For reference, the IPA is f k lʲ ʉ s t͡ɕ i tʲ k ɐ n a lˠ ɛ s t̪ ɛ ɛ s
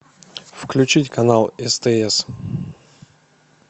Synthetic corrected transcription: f k lʲ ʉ t͡ɕ i tʲ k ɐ n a lˠ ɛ s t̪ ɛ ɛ s